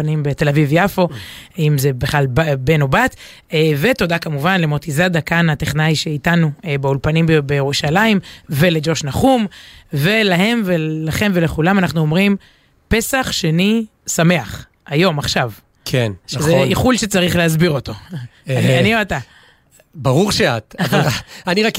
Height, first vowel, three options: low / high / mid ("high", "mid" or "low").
high